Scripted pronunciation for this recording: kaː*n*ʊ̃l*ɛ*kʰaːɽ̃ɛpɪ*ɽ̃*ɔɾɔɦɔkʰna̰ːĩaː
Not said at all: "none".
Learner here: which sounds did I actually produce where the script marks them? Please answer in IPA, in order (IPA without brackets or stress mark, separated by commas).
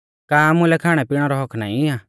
m, ɛ, ɽ̃